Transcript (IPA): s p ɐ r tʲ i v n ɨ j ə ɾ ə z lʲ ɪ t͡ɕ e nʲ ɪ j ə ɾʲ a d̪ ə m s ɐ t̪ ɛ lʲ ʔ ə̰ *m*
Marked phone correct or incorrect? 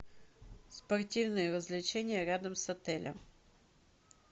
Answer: correct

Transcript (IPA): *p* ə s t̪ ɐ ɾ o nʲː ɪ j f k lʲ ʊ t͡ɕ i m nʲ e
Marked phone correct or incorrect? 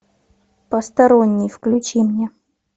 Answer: correct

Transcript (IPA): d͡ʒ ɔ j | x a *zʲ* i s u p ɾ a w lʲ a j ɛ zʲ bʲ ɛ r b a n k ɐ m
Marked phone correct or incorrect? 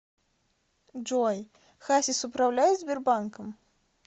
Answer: incorrect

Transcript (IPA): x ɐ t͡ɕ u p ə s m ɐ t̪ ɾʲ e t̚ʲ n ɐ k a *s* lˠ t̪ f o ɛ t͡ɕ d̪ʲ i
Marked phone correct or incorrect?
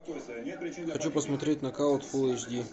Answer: incorrect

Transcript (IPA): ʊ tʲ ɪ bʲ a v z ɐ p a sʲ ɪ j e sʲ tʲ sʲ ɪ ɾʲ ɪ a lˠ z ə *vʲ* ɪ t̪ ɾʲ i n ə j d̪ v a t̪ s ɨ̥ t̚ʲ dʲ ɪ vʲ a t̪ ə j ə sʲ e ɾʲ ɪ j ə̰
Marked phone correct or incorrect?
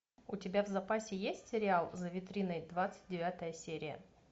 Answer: correct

